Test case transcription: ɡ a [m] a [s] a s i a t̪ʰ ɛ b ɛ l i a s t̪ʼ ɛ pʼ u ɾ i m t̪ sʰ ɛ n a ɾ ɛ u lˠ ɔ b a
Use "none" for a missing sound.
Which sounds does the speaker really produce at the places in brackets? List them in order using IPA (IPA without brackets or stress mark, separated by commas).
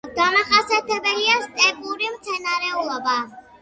m, χ